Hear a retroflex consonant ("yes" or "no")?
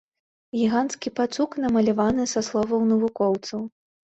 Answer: no